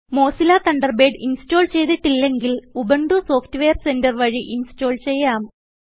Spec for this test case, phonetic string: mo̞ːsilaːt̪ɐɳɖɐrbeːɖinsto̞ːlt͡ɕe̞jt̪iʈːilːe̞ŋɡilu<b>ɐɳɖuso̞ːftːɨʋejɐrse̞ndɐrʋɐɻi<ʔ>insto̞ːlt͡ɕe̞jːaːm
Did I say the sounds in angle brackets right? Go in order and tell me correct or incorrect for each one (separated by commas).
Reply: correct, correct